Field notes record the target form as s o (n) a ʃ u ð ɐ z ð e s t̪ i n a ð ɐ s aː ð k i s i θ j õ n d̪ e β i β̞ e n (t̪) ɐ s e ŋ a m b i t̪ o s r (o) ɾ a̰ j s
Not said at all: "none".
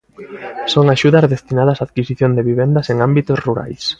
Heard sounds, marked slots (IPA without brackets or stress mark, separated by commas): ŋ, d̪, u